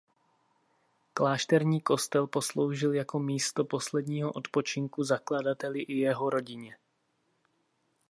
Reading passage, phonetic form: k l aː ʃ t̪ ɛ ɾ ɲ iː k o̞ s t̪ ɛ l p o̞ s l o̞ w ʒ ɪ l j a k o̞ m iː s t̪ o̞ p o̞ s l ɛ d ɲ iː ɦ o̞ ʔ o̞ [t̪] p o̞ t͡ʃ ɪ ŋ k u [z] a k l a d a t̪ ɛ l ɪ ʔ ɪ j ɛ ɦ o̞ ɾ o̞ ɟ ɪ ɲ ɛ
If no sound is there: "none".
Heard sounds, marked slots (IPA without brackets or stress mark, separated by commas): t̪, z